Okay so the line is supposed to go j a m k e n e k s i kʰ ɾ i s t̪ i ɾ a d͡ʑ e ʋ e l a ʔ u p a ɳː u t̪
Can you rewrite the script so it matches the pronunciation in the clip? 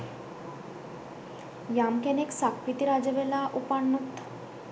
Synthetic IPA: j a m k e n e k s a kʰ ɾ i t̪ i ɾ a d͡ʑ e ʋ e l a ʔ u p a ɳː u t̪